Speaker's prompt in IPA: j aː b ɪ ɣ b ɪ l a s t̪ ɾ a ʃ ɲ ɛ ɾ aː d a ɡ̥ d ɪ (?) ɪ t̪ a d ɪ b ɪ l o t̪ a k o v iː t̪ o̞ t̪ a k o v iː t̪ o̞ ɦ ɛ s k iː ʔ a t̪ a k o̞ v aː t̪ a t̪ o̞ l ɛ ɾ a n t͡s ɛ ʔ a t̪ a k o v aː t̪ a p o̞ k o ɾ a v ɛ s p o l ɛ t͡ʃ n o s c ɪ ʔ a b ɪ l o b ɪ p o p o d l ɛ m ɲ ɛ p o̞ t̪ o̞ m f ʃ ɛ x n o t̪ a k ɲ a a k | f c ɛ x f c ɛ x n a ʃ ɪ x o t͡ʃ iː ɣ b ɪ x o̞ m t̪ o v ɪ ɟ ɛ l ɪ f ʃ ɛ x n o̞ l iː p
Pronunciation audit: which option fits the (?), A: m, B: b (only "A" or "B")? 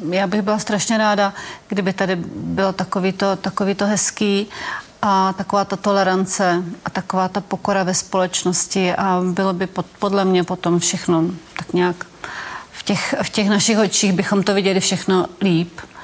B